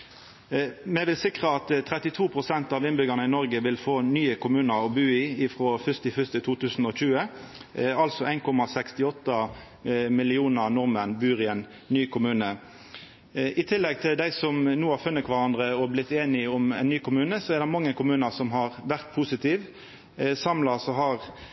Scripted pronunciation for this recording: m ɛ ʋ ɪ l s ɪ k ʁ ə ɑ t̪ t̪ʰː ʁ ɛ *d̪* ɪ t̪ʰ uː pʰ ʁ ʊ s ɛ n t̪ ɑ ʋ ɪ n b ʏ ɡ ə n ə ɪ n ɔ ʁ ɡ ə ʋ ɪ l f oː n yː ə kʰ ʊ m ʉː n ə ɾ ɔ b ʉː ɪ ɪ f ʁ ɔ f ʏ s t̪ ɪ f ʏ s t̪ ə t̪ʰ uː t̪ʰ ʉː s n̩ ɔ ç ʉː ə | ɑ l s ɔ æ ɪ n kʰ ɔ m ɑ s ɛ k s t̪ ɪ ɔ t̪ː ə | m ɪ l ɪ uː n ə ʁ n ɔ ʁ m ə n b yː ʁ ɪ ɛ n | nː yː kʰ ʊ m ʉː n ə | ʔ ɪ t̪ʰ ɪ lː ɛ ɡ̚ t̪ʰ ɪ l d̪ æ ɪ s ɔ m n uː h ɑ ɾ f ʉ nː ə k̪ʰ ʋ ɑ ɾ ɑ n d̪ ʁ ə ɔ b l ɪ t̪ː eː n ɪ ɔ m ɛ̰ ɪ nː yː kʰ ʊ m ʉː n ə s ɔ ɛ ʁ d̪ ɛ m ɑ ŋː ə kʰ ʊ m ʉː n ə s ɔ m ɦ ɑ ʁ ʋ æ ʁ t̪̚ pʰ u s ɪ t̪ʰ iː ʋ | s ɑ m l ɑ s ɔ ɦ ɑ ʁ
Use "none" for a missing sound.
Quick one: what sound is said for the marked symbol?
t̪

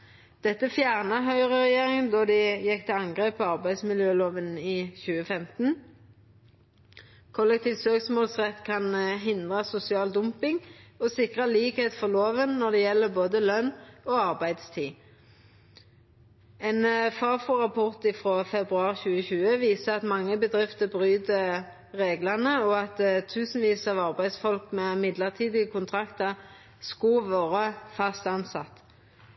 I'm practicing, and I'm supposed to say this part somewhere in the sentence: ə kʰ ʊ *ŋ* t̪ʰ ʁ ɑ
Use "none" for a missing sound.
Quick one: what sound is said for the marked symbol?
n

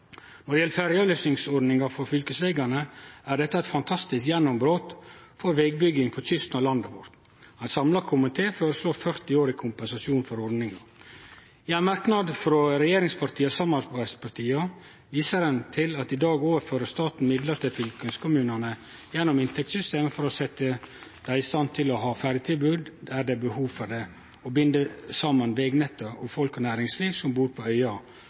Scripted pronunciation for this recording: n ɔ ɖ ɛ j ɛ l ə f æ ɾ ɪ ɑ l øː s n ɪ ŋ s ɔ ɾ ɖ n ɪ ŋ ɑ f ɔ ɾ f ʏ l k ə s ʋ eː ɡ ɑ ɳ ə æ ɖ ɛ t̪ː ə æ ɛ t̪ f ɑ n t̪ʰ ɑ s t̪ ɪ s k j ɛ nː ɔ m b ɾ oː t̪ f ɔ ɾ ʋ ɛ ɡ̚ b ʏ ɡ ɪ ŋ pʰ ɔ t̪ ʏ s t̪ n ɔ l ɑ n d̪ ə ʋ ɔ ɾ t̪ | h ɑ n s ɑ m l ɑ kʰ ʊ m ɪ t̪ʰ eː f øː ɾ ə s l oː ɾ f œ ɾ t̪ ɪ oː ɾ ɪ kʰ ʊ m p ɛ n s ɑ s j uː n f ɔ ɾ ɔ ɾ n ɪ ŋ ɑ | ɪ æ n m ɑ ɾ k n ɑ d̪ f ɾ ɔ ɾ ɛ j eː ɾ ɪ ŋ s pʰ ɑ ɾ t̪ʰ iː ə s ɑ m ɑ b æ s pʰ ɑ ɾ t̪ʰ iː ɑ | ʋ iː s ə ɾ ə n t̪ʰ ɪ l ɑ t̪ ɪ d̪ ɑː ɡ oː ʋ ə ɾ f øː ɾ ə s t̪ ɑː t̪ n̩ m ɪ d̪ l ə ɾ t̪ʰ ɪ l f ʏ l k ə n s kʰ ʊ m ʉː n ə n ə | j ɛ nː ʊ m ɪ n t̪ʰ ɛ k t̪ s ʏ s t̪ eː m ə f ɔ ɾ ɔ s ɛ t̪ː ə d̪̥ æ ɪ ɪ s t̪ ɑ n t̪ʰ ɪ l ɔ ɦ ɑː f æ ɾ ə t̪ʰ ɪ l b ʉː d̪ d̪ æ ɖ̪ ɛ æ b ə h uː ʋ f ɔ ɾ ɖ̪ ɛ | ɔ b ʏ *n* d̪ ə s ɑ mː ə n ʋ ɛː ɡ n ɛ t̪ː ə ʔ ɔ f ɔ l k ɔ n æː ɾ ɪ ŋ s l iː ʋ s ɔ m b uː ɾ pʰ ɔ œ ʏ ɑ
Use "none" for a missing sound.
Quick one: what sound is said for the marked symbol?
n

